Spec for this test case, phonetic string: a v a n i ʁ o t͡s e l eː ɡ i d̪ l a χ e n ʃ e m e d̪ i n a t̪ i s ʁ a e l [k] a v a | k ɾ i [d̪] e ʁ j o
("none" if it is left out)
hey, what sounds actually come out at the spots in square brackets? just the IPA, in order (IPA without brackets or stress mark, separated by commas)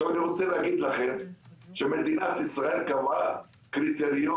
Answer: k, t̪